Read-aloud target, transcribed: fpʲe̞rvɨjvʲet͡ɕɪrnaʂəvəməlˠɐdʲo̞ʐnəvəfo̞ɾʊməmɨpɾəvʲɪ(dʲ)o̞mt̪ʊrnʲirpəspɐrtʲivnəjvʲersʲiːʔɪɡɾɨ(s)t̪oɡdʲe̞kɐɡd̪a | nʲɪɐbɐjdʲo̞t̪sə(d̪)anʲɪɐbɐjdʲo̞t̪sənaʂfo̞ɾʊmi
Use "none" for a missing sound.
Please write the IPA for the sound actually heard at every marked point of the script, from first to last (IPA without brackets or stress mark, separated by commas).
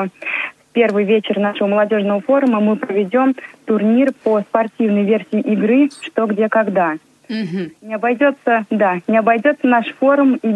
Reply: dʲ, ʂ, d̪